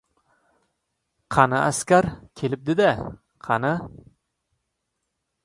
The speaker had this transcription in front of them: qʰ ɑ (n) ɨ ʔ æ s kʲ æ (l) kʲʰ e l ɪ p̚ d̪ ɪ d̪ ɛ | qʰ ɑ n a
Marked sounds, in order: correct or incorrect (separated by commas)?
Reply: correct, incorrect